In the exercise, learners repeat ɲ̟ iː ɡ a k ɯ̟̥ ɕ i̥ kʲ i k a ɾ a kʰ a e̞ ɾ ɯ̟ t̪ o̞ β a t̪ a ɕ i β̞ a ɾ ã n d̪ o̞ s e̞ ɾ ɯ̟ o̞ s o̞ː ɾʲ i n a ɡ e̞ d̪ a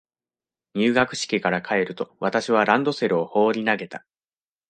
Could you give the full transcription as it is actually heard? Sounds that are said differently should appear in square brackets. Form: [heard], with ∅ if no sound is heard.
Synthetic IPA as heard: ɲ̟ [ɨː] ɡ a k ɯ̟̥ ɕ i̥ kʲ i k a ɾ a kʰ a e̞ ɾ ɯ̟ t̪ o̞ β a t̪ a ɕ i β̞ a ɾ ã n d̪ o̞ s e̞ ɾ ɯ̟ o̞ [h] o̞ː ɾʲ i n a ɡ e̞ [t̪] a